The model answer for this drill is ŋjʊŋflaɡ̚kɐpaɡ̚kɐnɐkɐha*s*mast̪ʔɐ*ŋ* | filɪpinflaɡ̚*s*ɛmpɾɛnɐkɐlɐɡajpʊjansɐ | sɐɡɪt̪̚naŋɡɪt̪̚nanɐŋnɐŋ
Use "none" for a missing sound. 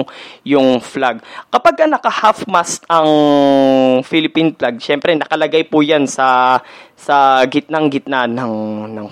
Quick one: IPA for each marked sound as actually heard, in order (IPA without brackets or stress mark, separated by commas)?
f, ŋ, ʃ